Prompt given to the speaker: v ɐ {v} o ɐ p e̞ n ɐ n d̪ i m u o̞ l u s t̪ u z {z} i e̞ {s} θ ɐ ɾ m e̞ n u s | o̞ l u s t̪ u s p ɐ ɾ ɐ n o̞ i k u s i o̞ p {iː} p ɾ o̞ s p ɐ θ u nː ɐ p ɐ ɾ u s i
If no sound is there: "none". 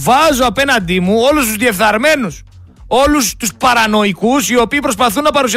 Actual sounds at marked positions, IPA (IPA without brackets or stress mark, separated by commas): z, ð, f, iː